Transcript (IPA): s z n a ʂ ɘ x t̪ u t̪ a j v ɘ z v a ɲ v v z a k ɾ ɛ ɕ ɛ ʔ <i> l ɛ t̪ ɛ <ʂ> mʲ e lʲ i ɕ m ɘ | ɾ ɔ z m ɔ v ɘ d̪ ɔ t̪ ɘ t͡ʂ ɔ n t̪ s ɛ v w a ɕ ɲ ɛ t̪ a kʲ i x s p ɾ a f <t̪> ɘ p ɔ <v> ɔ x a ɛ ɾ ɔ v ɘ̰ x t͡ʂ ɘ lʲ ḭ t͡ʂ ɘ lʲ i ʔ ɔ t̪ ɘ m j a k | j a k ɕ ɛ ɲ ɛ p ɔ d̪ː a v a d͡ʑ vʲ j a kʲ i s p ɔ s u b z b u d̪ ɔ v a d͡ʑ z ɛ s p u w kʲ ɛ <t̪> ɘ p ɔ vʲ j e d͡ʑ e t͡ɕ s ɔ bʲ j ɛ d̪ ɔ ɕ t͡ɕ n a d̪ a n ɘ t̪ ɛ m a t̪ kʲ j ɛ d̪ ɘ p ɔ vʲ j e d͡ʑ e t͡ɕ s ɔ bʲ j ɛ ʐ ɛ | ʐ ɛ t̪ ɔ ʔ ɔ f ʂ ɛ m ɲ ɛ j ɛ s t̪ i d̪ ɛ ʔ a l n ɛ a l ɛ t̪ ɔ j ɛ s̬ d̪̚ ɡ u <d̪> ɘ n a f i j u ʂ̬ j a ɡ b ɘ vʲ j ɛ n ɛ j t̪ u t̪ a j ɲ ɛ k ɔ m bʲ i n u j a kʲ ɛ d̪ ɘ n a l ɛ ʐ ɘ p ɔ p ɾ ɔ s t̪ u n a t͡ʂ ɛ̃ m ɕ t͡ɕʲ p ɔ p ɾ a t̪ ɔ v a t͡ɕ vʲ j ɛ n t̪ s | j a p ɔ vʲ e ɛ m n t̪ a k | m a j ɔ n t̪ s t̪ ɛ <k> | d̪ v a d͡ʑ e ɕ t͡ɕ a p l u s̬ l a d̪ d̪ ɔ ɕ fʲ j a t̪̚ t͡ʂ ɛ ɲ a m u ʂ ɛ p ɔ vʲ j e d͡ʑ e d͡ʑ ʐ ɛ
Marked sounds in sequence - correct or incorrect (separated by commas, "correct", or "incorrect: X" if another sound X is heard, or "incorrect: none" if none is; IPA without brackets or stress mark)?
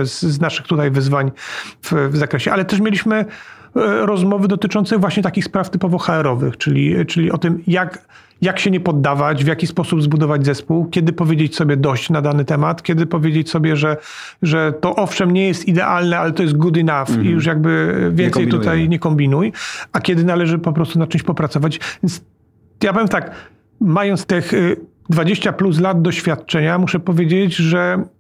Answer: incorrect: a, correct, correct, correct, incorrect: d̪, correct, incorrect: x